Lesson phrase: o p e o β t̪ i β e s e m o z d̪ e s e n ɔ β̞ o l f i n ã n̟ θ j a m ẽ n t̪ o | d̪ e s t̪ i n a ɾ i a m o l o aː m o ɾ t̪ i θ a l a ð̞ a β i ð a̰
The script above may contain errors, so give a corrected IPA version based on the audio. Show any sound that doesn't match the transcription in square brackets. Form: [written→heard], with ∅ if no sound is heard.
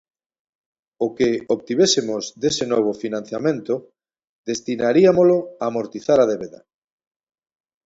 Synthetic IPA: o [p→k] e o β t̪ i β e s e m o z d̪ e s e n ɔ β̞ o [l→∅] f i n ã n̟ θ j a m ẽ n t̪ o | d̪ e s t̪ i n a ɾ i a m o l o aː m o ɾ t̪ i θ a [l→ɾ] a ð̞ [a→e] β [i→e] ð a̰